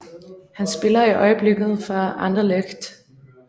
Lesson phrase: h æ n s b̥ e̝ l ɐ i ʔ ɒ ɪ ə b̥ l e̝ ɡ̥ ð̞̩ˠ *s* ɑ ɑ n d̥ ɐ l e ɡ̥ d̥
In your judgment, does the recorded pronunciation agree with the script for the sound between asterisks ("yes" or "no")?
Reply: no